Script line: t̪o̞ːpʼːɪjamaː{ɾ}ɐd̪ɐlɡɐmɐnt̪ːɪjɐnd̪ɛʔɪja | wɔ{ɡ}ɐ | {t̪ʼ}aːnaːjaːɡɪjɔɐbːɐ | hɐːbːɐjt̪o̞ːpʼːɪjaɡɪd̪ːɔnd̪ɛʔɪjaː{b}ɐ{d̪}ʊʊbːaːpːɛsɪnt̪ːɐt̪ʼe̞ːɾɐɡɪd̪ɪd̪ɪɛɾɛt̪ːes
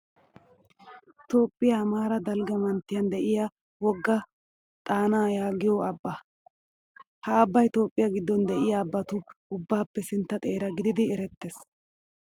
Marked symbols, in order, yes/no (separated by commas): yes, no, yes, no, no